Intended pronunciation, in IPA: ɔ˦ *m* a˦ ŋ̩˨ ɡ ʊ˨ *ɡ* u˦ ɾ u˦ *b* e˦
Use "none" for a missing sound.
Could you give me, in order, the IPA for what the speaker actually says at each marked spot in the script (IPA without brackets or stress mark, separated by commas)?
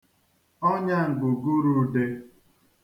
ɲ, ɡ, d